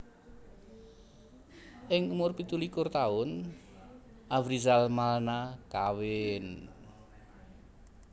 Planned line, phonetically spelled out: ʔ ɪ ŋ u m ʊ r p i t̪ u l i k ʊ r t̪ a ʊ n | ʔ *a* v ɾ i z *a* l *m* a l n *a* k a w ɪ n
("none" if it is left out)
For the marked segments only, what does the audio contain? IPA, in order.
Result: a, a, m, a

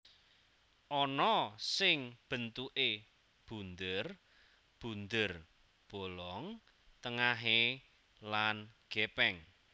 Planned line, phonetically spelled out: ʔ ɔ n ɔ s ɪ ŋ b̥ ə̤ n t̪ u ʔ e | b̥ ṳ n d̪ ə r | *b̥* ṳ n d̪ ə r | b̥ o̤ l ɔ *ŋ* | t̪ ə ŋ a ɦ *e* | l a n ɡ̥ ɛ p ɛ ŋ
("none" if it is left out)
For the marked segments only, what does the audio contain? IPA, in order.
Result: b̥, ŋ, e

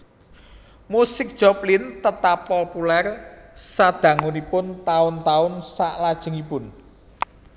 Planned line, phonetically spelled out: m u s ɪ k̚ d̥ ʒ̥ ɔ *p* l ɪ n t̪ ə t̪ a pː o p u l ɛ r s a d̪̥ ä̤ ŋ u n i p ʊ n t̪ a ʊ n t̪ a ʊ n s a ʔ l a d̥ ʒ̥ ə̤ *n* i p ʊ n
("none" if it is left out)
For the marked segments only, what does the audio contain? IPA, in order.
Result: p, ŋ

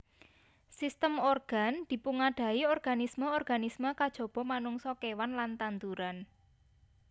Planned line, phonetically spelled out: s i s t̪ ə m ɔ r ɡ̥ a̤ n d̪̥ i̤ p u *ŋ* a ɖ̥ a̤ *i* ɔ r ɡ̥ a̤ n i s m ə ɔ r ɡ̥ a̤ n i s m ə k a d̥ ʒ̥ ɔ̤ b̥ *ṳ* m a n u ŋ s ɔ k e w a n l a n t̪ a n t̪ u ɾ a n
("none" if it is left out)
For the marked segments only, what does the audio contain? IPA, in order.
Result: ŋ, i, ɔ̤

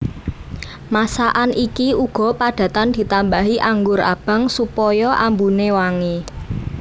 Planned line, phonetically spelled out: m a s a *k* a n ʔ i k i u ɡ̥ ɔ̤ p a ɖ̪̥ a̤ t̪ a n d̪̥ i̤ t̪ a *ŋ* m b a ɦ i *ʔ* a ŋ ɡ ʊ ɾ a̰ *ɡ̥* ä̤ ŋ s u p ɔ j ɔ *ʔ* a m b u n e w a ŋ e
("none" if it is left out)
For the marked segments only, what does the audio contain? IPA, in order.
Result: ʔ, none, ʔ, b̥, ʔ

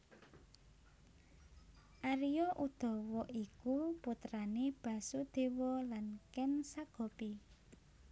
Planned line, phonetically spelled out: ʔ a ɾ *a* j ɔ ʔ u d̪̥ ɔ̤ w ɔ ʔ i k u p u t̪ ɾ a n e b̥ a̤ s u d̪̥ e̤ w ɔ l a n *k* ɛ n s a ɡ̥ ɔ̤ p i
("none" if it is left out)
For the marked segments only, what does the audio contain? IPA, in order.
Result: i, k

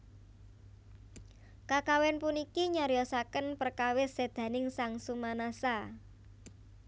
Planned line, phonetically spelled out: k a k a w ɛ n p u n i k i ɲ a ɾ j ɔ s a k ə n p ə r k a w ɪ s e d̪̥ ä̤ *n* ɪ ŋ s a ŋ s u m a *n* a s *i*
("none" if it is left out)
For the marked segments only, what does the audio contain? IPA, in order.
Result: n, n, a

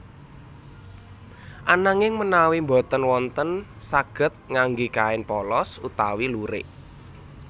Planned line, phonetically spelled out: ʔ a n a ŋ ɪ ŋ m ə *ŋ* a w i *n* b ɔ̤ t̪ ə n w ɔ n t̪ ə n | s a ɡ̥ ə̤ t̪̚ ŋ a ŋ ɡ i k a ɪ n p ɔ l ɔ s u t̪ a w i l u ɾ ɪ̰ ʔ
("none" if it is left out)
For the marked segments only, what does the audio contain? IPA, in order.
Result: n, m

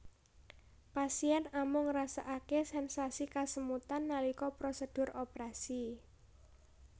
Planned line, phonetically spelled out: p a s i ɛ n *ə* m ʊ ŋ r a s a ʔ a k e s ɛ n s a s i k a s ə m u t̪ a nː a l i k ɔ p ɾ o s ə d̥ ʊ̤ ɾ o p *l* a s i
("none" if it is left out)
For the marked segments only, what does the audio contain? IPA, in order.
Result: a, ɾ

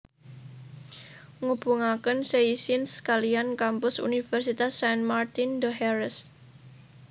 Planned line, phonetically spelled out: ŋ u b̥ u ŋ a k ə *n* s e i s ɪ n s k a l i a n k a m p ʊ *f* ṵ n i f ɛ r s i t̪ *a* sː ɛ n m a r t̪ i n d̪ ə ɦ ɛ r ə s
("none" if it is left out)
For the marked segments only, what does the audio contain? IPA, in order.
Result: n, s, a

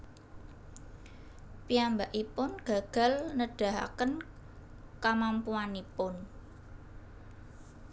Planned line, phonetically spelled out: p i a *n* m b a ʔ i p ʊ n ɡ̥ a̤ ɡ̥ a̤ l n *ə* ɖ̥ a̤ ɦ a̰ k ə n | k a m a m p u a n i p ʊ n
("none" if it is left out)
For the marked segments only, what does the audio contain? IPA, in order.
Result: none, ə

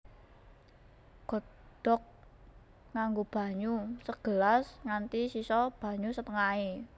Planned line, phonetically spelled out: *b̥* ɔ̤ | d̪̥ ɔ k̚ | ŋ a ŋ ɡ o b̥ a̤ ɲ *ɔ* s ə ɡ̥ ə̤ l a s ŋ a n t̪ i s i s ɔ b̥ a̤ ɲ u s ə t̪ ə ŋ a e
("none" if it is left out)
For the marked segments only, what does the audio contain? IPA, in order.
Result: ɡ̥, u

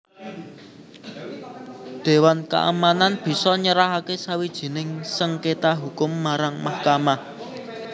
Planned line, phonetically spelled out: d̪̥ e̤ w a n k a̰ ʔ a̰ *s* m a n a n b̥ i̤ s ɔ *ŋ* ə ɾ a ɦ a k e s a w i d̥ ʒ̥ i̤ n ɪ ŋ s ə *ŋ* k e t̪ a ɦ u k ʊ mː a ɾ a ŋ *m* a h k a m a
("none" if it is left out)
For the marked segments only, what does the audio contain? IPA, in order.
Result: none, ɲ, ŋ, m

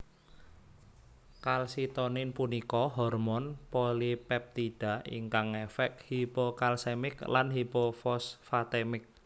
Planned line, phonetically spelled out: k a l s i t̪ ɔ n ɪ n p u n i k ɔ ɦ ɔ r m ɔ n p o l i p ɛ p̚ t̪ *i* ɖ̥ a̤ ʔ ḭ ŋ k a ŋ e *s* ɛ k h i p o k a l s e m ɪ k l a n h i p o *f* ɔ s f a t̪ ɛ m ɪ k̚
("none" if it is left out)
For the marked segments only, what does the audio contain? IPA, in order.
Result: i, f, f

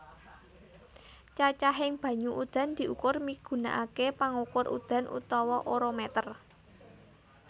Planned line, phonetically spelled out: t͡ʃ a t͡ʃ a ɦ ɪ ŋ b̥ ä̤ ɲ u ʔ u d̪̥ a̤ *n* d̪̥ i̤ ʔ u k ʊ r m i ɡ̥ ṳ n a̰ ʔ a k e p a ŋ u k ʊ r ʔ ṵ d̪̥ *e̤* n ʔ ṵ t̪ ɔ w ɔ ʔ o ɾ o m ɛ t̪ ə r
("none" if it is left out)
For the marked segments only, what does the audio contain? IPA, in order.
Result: n, a̤

